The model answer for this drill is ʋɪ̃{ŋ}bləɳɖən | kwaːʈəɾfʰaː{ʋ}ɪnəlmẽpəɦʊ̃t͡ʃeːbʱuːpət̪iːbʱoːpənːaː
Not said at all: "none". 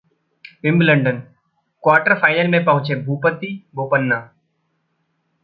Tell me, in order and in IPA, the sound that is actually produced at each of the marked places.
m, none

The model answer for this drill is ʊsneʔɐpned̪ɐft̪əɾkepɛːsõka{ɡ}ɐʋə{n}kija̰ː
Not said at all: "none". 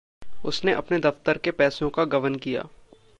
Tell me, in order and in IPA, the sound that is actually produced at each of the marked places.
ɡ, n

